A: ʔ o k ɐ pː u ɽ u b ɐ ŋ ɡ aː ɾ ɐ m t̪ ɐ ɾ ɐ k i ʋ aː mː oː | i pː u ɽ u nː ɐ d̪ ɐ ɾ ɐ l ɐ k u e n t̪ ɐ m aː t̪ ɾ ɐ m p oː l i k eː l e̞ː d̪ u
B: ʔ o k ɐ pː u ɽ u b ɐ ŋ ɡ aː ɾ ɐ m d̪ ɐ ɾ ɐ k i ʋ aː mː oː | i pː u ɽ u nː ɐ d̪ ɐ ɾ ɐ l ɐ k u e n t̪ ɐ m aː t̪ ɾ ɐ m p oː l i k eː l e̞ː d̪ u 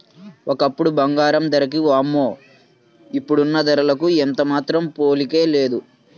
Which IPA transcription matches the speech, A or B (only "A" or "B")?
B